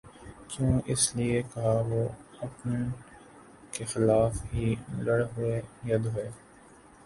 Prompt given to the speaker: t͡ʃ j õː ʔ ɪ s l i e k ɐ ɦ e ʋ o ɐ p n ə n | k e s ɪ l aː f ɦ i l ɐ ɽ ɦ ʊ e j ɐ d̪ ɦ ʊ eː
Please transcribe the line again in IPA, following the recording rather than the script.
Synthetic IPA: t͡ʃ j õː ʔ ɪ s l i e k ɐ ɦ a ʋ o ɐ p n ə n | k e x ɪ l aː f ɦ i l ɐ ɽ ɦ ʊ e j ɐ d̪ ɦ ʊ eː

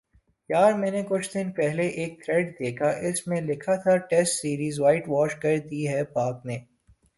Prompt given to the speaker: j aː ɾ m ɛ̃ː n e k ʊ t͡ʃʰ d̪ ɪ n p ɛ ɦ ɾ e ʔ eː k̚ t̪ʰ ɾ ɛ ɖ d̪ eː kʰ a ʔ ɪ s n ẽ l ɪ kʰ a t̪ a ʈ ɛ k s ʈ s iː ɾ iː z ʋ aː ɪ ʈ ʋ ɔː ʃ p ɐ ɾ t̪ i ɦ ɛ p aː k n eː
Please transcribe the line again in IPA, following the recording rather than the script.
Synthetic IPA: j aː ɾ m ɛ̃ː n e k ʊ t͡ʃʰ d̪ ɪ n p ɛ ɦ l e ʔ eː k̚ t̪ʰ ɾ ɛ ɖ d̪ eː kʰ a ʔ ɪ s m ẽ l ɪ kʰ a t̪ʰ a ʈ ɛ s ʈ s iː ɾ iː z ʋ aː ɪ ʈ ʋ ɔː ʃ k ɐ ɾ d̪ i ɦ ɛ p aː k n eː

